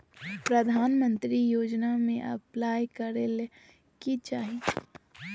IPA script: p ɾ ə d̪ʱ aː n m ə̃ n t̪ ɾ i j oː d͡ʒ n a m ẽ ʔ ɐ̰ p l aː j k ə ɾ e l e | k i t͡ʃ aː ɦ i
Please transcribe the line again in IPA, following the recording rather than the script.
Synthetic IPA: p ɾ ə d̪ʱ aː n m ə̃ n t̪ ɾ i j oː d͡ʒ n a m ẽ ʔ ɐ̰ p l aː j k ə ɾ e l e | k i t͡ʃ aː ɦ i

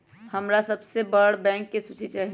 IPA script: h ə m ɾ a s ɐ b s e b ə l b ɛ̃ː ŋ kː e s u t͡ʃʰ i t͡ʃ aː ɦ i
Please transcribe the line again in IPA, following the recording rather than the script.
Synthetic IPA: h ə m ɾ a s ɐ b s e b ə ɽ b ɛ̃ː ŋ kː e s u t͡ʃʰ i t͡ʃ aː ɦ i

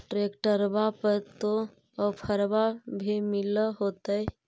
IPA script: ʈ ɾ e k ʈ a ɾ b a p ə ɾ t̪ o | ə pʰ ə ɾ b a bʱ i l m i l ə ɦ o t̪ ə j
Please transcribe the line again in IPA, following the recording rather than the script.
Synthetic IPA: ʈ ɾ e k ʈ ə ɾ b a p ə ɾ t̪ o | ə pʰ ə ɾ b a bʱ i m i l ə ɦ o t̪ ə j

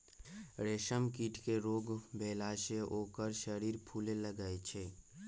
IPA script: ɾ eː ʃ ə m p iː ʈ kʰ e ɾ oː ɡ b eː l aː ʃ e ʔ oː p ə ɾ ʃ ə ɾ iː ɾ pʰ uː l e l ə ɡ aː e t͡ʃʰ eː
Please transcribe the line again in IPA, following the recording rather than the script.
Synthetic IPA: ɾ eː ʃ ə m k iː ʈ k e ɾ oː ɡ b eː l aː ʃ e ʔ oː k ə ɾ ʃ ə ɾ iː ɾ pʰ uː l e l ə ɡ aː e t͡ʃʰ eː

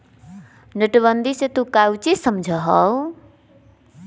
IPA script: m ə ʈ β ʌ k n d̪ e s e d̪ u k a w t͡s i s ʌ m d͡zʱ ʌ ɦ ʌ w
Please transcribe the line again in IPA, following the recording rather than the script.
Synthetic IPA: n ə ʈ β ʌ n d̪ i s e t̪ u k a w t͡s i s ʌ m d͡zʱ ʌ ɦ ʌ w

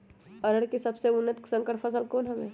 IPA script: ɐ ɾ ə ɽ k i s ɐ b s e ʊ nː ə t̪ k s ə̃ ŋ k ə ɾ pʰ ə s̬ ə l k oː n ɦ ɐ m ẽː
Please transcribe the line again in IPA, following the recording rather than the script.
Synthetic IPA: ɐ ɾ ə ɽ k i s ɐ b s e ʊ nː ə t̪ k s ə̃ ŋ k ə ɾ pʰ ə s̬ ə l k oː n ɦ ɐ m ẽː

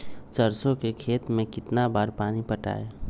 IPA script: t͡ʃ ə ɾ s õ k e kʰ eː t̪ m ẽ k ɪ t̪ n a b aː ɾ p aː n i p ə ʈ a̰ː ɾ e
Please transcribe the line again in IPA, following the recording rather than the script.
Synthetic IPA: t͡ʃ ə ɾ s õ k e kʰ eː t̪ m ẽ k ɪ t̪ n a b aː ɾ p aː n i p ə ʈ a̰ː e

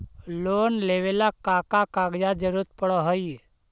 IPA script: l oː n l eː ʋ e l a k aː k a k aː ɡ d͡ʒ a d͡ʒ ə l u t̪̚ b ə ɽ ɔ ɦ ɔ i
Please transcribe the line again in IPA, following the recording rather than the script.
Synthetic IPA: l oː n l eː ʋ e l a k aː k a k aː ɡ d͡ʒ a d͡ʒ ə ɾ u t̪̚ p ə ɽ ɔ ɦ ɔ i

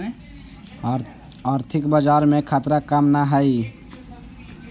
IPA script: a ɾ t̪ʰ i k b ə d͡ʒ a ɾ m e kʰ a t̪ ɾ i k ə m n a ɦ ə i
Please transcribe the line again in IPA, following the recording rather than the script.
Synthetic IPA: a ɾ t̪ʰ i k b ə d͡ʒ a ɾ m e kʰ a t̪ ɾ a k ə m n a ɦ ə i

